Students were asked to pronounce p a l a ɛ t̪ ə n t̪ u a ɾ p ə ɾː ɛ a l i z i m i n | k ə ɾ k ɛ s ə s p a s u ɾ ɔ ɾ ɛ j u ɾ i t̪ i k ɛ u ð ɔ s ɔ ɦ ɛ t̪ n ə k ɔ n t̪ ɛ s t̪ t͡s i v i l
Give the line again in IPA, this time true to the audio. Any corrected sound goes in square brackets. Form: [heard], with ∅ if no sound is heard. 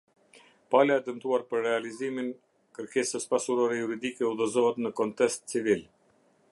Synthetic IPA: p a l a ɛ [d̪] ə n t̪ u a ɾ p ə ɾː ɛ a l i z i m i n | k ə ɾ k ɛ s ə s p a s u ɾ ɔ ɾ ɛ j u ɾ i [d̪] i k ɛ u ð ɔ [z] ɔ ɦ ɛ t̪ n ə k ɔ n t̪ ɛ s t̪ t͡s i v i l